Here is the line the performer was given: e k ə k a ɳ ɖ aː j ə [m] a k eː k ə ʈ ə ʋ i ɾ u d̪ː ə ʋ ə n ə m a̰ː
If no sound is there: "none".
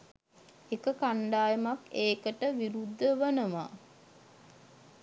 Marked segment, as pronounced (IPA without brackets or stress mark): m